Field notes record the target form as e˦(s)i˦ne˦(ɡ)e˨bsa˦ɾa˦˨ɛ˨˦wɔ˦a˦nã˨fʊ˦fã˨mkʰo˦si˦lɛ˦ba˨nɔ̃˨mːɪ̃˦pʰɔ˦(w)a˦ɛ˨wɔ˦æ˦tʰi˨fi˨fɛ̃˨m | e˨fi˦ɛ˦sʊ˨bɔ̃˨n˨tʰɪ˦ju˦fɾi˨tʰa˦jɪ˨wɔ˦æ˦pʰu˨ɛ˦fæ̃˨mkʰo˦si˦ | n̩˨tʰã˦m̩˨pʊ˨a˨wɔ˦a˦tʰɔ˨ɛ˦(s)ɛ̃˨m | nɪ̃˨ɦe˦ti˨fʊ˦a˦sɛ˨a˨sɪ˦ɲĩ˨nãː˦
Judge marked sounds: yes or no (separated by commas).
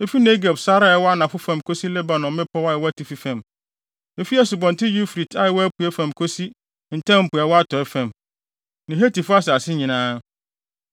no, yes, yes, no